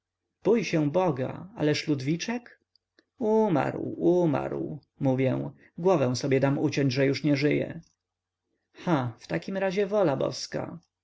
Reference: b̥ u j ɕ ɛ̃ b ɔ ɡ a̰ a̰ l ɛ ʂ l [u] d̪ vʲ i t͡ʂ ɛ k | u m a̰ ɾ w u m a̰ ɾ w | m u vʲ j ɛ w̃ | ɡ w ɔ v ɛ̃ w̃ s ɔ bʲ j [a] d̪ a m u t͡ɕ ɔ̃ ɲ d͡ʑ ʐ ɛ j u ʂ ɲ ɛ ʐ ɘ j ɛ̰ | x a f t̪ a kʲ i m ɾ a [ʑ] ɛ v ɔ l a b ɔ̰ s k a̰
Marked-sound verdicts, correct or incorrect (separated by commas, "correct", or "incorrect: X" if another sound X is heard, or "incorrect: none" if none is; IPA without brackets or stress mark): correct, incorrect: ɛ, correct